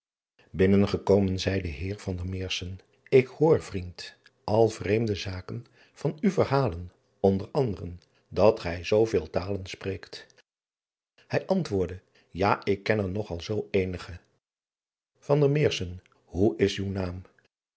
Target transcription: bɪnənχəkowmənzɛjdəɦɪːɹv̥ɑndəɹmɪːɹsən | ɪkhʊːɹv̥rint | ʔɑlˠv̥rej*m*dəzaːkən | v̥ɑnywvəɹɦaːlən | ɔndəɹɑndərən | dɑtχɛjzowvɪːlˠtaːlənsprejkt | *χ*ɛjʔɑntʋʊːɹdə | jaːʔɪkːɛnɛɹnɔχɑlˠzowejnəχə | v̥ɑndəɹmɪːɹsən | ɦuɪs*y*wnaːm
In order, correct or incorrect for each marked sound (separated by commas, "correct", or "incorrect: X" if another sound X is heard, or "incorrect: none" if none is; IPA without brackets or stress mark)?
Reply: correct, incorrect: h, correct